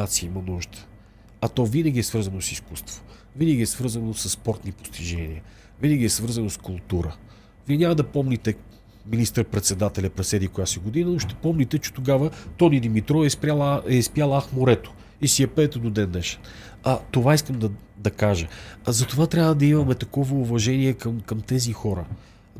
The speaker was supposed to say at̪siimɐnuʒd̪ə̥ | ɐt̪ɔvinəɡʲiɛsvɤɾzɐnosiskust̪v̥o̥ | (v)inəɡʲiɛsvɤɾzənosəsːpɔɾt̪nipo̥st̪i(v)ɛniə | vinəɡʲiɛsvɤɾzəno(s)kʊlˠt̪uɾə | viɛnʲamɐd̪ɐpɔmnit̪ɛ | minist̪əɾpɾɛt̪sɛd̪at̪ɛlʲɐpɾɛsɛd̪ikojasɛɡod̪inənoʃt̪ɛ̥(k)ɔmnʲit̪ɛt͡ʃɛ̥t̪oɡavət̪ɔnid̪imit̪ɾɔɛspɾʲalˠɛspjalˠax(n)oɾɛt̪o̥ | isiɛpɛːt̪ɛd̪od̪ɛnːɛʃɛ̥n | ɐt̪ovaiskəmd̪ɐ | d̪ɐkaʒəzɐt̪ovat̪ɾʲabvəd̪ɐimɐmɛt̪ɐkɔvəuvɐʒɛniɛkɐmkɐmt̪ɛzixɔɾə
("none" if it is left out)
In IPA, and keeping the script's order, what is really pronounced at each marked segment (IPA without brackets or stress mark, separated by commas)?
v, ʒ, s, p, m